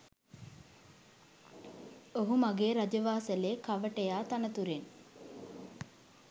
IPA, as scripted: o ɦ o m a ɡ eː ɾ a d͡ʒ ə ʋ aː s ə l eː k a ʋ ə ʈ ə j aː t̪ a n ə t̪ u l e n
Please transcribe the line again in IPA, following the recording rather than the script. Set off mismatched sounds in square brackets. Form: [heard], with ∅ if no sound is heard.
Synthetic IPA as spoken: o ɦ [u] m a ɡ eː ɾ a d͡ʒ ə ʋ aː s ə l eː k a ʋ ə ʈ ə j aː t̪ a n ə t̪ u [ɾ] e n